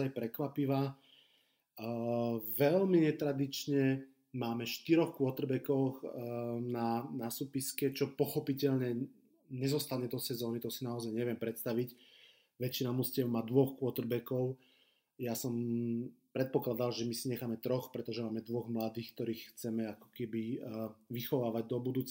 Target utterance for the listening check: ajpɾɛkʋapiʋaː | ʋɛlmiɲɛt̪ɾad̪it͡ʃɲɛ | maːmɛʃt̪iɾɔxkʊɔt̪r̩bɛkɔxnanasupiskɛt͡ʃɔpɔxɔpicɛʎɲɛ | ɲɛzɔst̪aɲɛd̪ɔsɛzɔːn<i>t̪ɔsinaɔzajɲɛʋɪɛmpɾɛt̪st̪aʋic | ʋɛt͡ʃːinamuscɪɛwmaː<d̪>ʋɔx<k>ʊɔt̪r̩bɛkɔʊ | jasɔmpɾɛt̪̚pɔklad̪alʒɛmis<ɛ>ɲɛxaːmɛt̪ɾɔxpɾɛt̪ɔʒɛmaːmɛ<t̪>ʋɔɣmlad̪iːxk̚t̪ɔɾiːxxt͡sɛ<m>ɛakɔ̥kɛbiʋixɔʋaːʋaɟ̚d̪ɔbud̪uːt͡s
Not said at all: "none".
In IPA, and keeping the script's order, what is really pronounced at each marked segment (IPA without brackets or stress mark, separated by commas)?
i, d̪, k, i, d̪, m